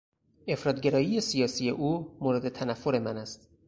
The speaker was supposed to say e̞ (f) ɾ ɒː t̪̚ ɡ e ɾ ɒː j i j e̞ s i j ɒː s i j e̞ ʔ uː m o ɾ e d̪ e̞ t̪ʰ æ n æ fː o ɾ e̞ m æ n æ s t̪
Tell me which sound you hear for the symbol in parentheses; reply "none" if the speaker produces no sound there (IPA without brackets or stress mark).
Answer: f